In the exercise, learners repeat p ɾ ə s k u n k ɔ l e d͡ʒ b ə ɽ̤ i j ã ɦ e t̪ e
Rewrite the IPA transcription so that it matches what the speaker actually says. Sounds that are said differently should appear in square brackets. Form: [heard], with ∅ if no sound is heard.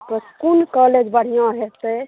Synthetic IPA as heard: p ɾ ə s k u n k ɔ l e d͡ʒ b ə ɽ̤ i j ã ɦ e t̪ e